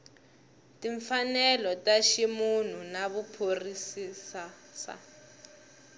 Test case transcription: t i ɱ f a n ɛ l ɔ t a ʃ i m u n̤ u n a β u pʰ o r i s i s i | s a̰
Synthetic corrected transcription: t i ɱ f a n ɛ l ɔ t a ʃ i m u n̤ u n a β u pʰ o r i s i s a | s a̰